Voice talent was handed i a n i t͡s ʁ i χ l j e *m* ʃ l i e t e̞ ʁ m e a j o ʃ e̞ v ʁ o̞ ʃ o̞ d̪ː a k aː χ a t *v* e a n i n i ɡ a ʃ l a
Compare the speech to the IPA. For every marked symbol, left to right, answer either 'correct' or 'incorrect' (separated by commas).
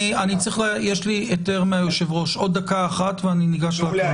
incorrect, correct